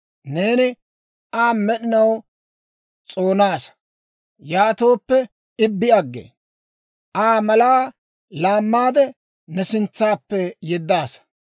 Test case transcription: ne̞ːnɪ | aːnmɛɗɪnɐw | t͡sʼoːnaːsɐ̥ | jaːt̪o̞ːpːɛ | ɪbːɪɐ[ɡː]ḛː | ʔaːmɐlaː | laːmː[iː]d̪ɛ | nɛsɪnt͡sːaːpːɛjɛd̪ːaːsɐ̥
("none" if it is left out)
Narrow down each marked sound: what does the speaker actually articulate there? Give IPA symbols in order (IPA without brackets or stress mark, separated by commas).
ɡː, aː